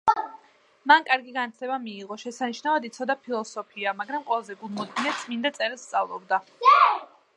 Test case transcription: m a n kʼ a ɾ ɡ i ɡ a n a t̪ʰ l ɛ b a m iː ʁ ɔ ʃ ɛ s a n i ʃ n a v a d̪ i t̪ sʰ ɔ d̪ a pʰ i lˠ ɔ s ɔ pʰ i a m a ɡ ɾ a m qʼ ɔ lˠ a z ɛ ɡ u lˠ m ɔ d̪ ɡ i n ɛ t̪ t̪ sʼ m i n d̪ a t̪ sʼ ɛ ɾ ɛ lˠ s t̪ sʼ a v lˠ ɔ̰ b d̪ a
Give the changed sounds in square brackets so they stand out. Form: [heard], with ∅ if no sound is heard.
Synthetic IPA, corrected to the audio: m a n kʼ a ɾ ɡ i ɡ a n a t̪ʰ l ɛ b a m iː ʁ ɔ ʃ ɛ s a n i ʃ n a v a d̪ i t̪ sʰ ɔ d̪ a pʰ i lˠ ɔ s ɔ pʰ i a m a ɡ ɾ a m qʼ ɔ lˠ a z ɛ ɡ u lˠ m ɔ d̪ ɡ i n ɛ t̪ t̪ sʼ m i n d̪ a t̪ sʼ ɛ ɾ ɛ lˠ s t̪ sʼ a v lˠ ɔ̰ b d̪ a